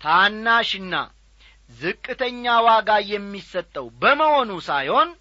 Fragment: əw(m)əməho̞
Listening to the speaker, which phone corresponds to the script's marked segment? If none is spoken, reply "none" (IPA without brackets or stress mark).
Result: b